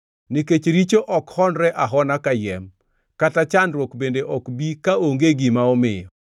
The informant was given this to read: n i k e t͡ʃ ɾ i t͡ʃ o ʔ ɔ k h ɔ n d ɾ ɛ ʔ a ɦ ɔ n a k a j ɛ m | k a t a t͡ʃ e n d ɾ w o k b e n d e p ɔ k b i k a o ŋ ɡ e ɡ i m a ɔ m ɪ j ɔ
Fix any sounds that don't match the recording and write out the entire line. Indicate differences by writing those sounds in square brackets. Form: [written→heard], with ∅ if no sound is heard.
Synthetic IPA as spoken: n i k e t͡ʃ ɾ i t͡ʃ o ʔ ɔ k h ɔ n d ɾ ɛ ʔ a ɦ ɔ n a k a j ɛ m | k a t a t͡ʃ [e→a] n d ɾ w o k b e n d e [p→ʔ] ɔ k b i k a o ŋ ɡ e ɡ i m a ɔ m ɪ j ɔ